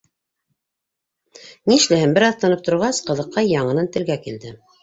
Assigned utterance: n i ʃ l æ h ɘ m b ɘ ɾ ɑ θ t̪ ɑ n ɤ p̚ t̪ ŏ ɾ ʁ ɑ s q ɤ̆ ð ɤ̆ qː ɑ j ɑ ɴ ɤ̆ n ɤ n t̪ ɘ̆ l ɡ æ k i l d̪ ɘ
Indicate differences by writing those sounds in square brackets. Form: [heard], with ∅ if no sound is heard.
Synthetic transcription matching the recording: n i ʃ l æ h ɘ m b ɘ ɾ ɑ θ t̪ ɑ n ɤ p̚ t̪ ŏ ɾ ʁ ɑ s q ɤ̆ ð ɤ̆ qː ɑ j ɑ ɴ ɤ̆ n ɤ n t̪ ɘ̆ l ɡ æ k i l d̪ ɘ